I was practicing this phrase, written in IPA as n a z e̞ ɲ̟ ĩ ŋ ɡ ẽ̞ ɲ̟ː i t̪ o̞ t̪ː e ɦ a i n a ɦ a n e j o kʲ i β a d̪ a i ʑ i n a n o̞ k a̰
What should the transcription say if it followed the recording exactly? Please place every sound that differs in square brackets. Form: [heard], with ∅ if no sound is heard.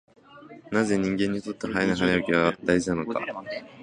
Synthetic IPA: n a z e̞ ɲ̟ ĩ ŋ ɡ ẽ̞ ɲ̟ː i t̪ o̞ t̪ː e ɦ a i n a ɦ a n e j o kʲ i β a d̪ a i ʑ i n a n o̞ k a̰